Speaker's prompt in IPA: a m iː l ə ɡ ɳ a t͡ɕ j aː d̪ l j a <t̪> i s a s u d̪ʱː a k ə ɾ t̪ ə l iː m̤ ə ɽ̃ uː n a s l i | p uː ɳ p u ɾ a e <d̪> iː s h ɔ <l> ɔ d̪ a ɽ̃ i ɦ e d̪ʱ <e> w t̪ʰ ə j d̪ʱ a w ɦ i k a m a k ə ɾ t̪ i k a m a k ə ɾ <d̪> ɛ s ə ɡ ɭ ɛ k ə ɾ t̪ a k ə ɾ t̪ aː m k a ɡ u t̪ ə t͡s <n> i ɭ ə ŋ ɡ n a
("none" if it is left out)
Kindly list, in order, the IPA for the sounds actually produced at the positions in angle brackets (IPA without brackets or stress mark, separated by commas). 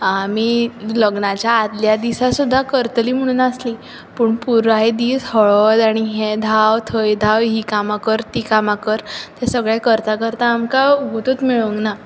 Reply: d̪, d̪, ɭ, a, t̪, m